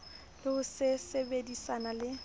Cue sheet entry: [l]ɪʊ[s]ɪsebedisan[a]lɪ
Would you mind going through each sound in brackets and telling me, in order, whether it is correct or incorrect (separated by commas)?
correct, correct, correct